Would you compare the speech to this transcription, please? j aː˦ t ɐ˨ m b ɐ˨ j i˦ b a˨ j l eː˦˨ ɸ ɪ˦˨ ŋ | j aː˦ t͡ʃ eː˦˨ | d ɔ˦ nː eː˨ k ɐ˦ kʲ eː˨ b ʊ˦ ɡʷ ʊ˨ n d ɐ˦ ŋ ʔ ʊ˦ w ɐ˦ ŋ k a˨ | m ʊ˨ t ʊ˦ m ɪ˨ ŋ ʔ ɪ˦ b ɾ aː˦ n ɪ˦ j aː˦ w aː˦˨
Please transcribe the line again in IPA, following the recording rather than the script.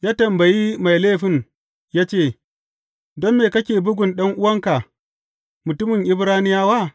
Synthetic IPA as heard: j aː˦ t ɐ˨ m b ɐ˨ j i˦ m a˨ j l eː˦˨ ɸ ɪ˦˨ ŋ | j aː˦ t͡ʃ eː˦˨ | d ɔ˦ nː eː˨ k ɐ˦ kʲ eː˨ b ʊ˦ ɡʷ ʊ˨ n ɗ ɐ˦ ŋ ʔ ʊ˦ w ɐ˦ ŋ k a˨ | m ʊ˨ t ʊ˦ m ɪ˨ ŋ ʔ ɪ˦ b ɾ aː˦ n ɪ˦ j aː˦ w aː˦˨